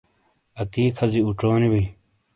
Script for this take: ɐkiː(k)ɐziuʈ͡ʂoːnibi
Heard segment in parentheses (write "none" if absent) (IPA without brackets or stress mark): kʰ